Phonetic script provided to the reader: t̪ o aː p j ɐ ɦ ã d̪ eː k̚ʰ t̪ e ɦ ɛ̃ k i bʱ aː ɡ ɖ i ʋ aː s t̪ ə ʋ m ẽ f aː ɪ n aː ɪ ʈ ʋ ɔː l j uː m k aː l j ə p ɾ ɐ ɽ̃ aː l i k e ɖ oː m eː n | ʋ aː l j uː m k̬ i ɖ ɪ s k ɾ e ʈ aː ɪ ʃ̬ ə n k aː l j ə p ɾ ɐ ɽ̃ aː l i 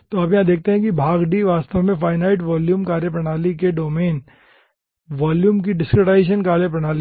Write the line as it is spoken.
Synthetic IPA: t̪ o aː p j ɐ ɦ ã d̪ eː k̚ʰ t̪ e ɦ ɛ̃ k i bʱ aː ɡ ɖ i ʋ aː s t̪ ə ʋ m ẽ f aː ɪ n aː ɪ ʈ ʋ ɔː l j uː m k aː ɾ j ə p ɾ ɐ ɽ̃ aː l i k e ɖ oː m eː n | ʋ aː l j uː m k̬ i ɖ ɪ s k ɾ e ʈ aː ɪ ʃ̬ ə n k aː l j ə p ɾ ɐ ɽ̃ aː l i